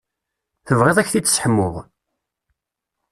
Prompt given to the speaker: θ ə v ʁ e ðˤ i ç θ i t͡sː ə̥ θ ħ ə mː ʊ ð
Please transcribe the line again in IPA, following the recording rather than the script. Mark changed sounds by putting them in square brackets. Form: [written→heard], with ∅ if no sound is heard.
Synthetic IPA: θ ə v ʁ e ðˤ [i→æ] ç θ i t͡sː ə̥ [θ→s] ħ ə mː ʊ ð